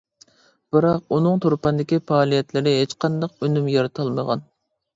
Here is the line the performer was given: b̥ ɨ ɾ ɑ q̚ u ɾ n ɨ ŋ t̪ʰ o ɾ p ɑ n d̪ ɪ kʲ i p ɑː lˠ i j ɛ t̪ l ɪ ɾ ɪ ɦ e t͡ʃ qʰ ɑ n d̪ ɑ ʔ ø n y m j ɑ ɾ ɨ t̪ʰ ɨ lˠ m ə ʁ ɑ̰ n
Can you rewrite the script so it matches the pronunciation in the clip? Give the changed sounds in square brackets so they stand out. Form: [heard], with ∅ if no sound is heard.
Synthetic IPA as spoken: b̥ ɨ ɾ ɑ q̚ u [∅] n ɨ ŋ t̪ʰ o ɾ p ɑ n d̪ ɪ kʲ i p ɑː lˠ i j ɛ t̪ l ɪ ɾ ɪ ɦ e t͡ʃ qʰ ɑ n d̪ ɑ [q] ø n y m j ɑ ɾ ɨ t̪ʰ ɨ lˠ m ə ʁ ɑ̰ n

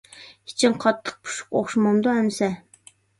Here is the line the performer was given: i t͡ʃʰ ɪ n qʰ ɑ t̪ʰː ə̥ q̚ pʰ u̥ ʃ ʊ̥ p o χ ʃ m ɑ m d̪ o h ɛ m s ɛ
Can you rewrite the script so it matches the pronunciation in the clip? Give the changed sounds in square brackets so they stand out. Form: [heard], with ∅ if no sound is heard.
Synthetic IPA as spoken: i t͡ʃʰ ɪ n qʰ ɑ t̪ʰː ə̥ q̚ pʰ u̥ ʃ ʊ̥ [q] o χ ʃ m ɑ m d̪ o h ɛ m s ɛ

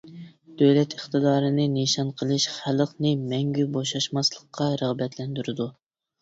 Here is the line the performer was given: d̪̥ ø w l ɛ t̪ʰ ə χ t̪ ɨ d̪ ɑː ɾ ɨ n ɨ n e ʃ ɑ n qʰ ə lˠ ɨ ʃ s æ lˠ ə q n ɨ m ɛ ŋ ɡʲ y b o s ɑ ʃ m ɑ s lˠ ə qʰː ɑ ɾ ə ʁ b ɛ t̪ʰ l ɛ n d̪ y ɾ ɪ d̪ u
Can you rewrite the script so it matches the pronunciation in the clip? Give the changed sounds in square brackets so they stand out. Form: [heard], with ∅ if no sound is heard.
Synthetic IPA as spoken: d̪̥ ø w l ɛ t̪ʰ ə χ t̪ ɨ d̪ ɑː ɾ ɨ n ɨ n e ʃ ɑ n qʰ ə lˠ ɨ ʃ [χ] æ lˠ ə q n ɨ m ɛ ŋ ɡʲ y b o [ʃ] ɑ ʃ m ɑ s lˠ ə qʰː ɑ ɾ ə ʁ b ɛ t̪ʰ l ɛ n d̪ y ɾ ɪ d̪ u

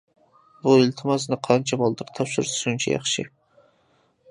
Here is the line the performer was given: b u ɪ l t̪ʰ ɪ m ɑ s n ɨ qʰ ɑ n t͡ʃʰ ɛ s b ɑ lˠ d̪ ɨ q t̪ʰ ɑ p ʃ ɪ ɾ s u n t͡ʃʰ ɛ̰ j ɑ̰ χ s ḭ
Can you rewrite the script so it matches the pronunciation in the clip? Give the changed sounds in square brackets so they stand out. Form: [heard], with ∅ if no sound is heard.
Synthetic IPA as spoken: b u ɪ l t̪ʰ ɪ m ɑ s n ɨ qʰ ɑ n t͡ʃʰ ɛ [∅] b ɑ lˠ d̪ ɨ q t̪ʰ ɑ p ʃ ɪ ɾ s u n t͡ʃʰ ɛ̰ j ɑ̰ χ [ʃ] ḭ

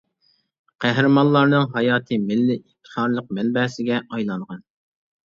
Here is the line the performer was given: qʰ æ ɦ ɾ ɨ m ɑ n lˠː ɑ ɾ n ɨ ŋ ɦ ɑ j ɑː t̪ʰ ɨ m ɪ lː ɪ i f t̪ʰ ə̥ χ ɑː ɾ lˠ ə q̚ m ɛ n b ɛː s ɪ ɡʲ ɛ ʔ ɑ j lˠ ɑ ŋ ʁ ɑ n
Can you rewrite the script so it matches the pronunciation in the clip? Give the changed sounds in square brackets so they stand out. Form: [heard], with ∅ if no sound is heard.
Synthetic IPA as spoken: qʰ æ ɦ ɾ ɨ m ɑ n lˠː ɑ ɾ n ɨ ŋ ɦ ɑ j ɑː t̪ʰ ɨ m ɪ lː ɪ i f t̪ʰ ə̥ χ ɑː ɾ lˠ ə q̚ m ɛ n b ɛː s ɪ ɡʲ ɛ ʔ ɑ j lˠ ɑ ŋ ʁ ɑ n

